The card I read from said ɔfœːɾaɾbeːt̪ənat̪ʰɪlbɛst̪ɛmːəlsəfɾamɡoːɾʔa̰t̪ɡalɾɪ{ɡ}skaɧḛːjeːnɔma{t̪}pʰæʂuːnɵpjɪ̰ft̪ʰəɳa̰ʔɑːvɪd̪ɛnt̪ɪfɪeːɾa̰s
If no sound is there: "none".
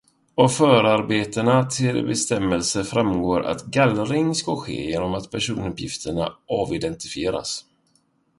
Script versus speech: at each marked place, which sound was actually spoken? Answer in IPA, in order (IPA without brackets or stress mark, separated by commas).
ŋ, t̪